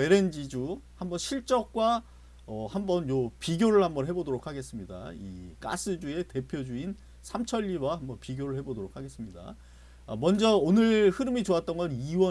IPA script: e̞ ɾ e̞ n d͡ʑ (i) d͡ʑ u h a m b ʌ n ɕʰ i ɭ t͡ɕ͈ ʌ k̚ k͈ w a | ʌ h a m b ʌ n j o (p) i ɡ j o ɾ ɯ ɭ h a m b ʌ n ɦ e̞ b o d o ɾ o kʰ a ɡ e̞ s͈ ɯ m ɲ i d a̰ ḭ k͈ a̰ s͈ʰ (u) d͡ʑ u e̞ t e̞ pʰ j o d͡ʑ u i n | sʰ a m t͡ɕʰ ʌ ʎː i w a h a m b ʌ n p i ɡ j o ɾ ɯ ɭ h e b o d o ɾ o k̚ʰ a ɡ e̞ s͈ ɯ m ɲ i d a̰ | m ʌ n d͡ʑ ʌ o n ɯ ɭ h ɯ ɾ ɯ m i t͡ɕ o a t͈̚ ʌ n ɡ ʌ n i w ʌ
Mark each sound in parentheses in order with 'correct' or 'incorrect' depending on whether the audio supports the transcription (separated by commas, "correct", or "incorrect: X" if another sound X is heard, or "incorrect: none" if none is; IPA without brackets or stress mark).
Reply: correct, correct, incorrect: ɯ